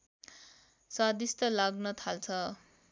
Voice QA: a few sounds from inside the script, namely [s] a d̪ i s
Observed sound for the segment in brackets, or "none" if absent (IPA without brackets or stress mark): s